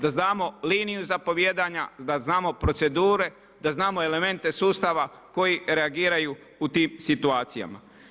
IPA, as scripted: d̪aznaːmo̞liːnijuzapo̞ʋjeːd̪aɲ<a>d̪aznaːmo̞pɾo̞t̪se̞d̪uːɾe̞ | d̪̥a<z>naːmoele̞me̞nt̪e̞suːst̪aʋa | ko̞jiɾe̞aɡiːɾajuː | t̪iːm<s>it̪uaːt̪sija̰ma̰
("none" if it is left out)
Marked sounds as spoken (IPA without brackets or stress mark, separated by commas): a, z, s